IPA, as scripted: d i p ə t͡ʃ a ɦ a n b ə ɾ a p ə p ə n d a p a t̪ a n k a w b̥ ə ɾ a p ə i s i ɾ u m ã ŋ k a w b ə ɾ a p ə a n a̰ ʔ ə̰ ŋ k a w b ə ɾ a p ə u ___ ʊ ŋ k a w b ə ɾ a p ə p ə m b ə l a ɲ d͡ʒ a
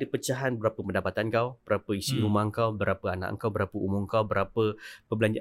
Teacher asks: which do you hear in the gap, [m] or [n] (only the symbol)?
m